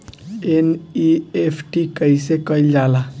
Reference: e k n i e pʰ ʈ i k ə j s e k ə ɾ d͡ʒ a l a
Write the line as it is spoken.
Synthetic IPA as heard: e n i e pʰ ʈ i k ə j s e k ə l d͡ʒ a l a